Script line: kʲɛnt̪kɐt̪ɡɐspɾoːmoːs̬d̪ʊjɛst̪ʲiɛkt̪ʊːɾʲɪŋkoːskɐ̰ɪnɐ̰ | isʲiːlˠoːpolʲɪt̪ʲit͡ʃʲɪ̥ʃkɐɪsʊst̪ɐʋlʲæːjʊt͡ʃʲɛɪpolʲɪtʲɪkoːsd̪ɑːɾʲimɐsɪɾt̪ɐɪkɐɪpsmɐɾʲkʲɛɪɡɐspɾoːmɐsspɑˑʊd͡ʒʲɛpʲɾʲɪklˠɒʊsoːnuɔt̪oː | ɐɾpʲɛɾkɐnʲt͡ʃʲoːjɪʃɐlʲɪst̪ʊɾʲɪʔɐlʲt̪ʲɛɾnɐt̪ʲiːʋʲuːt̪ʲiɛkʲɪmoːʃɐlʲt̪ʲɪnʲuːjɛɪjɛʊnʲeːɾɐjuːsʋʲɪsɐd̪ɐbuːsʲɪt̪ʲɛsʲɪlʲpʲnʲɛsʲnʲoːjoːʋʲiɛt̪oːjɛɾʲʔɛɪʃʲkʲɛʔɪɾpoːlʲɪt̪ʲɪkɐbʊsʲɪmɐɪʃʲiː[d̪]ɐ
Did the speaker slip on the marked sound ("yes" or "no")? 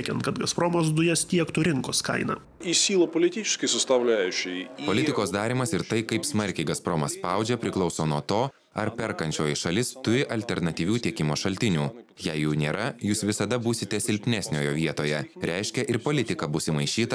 yes